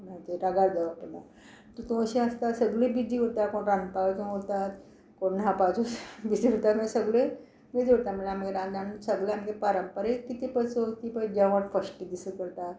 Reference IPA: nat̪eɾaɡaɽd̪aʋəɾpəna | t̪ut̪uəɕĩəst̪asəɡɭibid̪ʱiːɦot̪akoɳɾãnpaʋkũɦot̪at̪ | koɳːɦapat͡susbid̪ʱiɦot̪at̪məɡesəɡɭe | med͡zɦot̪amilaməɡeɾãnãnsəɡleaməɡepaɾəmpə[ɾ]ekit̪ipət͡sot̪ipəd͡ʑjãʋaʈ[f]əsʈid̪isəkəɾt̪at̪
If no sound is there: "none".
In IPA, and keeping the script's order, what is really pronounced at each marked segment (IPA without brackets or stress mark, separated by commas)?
ɾ, f